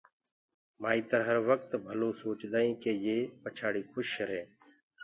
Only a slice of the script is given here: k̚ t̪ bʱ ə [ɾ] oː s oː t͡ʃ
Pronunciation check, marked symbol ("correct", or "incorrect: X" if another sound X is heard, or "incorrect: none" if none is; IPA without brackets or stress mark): incorrect: l